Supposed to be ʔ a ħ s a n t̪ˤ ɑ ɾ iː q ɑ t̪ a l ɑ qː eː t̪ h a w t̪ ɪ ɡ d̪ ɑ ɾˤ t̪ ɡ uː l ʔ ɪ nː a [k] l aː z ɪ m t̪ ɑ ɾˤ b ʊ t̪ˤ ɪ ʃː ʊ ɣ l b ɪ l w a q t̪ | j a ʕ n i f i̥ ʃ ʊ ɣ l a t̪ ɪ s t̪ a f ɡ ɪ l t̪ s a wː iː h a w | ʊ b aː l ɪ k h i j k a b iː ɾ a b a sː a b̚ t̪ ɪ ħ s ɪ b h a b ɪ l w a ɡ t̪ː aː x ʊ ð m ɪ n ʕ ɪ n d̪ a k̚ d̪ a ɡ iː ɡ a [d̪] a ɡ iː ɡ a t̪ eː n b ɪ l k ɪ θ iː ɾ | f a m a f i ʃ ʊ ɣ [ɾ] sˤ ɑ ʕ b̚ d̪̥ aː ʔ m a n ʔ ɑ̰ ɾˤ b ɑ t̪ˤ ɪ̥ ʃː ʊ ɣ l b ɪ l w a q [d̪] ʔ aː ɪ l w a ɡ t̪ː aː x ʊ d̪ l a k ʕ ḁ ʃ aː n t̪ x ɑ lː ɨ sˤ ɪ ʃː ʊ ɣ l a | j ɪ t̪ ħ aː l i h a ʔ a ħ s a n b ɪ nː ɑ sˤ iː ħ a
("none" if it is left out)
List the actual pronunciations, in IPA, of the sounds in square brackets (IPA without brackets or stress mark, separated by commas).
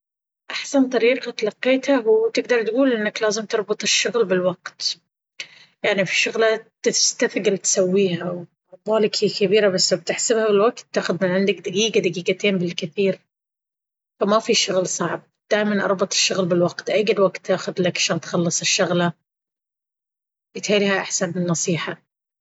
k, d̪, l, t̪